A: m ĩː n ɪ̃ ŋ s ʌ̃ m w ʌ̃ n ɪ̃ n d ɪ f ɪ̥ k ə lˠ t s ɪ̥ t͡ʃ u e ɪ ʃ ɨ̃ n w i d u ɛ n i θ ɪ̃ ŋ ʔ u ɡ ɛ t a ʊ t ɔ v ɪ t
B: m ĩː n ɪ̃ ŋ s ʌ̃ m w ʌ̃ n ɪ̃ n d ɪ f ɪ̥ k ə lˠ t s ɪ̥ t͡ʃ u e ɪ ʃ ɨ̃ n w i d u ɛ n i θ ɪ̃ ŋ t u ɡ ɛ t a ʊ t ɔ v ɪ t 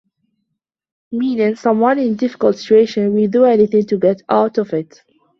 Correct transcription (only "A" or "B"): B